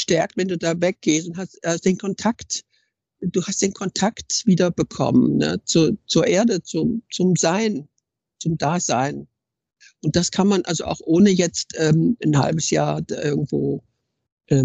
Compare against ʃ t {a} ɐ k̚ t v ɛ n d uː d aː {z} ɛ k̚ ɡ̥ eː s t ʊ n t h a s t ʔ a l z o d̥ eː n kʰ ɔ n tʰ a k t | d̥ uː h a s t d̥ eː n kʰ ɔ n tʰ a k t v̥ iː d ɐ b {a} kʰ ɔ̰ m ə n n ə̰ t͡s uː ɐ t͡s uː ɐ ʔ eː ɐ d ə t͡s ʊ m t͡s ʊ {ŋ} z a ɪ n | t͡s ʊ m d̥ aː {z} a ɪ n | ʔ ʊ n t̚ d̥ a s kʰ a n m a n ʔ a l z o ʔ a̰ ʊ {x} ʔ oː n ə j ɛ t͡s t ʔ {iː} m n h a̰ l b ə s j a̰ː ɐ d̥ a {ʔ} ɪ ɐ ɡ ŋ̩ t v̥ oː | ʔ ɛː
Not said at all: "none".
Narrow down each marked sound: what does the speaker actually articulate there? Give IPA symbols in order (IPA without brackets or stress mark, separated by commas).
ɛ, v, ə, m, z, x, ɛː, ʔ